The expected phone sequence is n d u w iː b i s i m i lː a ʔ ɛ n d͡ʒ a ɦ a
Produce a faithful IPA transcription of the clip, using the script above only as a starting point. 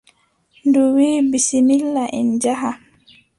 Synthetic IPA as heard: n d u w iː b i s i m i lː a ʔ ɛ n d͡ʒ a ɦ a